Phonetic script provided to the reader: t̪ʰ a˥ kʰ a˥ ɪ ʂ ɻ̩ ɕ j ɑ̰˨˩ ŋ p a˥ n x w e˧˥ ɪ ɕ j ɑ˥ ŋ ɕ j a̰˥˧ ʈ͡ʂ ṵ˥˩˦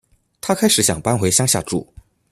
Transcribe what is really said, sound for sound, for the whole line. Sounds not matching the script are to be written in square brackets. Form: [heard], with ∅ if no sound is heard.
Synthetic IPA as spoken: t̪ʰ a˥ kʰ a˥ ɪ ʂ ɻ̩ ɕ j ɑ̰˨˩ ŋ p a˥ n x w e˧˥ ɪ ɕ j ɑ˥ ŋ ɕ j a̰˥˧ ʈ͡ʂ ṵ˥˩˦